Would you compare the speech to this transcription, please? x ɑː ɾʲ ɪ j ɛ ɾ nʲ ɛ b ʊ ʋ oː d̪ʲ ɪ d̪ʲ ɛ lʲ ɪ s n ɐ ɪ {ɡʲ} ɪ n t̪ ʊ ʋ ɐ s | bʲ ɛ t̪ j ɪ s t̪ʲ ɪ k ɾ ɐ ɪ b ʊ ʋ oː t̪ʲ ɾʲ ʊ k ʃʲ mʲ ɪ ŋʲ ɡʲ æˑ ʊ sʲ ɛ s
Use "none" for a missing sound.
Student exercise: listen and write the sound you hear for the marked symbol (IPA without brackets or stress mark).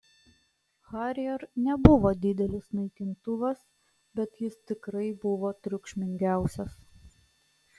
kʲ